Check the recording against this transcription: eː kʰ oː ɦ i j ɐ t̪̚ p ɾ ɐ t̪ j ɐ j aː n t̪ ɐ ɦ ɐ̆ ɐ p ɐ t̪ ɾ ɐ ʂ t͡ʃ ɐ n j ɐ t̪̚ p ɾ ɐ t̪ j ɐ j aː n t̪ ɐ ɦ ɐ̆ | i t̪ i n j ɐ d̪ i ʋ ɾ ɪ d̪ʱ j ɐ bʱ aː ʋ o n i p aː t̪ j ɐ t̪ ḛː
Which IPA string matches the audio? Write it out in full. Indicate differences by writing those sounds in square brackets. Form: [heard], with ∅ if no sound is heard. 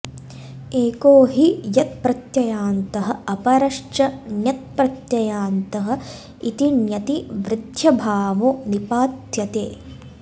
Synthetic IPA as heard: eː [k] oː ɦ i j ɐ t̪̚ p ɾ ɐ t̪ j ɐ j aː n t̪ ɐ ɦ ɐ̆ ɐ p ɐ [∅] ɾ ɐ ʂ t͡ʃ ɐ n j ɐ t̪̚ p ɾ ɐ t̪ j ɐ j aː n t̪ ɐ ɦ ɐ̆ | i t̪ i n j ɐ [t̪] i ʋ ɾ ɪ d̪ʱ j ɐ bʱ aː ʋ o n i p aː t̪ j ɐ t̪ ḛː